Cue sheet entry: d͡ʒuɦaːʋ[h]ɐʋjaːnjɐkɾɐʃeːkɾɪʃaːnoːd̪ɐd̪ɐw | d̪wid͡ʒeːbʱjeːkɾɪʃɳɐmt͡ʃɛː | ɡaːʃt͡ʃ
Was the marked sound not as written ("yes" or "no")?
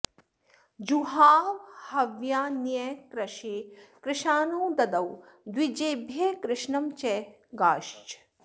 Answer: no